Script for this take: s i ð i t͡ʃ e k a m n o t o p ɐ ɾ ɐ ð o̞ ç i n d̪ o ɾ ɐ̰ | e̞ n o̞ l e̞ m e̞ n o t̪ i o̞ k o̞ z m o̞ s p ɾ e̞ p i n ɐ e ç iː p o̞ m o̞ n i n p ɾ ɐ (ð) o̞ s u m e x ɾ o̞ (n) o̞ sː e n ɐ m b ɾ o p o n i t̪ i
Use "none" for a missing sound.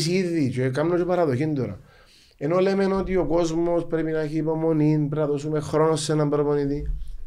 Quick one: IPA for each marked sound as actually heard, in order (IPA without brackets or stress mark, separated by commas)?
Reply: ð, n